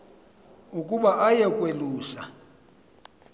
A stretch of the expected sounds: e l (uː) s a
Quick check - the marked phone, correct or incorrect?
correct